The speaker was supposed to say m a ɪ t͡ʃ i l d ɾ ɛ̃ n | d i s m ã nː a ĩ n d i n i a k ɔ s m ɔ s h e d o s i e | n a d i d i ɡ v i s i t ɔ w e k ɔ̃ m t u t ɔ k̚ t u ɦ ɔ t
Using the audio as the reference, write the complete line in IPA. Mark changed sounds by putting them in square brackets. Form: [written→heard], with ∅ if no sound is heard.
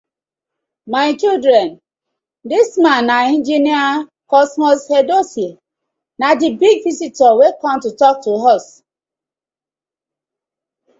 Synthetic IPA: m a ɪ t͡ʃ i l d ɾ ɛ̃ n | d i s m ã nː a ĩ n [d→d͡ʒ] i n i a k ɔ s m ɔ s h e d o s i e | n a d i [d→b] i ɡ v i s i t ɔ w e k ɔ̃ m t u t ɔ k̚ t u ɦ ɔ [t→s]